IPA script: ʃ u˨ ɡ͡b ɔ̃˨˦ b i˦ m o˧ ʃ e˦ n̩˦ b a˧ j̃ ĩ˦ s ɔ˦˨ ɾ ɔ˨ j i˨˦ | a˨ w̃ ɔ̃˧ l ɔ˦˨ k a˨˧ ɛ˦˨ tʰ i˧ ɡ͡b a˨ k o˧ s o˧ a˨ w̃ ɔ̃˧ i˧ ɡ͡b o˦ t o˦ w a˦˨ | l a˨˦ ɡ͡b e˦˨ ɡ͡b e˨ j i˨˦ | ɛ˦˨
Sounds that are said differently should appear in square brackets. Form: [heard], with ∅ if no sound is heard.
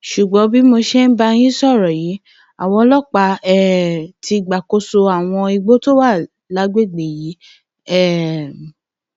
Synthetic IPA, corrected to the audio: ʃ u˨ ɡ͡b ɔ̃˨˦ b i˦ m o˧ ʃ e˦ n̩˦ b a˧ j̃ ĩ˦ s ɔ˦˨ ɾ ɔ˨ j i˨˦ | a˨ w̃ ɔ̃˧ l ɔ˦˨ [k͡p] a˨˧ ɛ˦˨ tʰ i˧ ɡ͡b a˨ k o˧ s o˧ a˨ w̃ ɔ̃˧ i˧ ɡ͡b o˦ t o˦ w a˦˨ | l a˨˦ ɡ͡b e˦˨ ɡ͡b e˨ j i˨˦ | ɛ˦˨